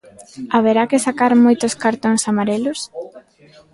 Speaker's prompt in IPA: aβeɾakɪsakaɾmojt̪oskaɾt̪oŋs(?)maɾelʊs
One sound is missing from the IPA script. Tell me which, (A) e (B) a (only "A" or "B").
B